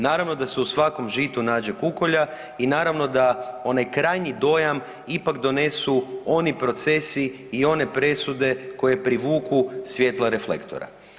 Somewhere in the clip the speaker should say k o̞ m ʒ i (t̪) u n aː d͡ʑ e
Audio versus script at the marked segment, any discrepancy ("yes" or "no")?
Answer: no